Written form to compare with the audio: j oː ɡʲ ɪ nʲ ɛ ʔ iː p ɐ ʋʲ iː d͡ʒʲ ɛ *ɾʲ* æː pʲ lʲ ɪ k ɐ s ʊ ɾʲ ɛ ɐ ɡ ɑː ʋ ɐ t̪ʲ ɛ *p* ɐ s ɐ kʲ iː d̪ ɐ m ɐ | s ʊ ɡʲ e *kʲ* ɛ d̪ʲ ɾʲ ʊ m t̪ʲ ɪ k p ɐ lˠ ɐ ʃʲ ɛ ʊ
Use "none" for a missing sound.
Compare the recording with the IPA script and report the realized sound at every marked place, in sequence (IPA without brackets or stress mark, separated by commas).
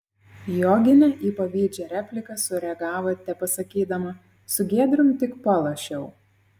ɾʲ, p, none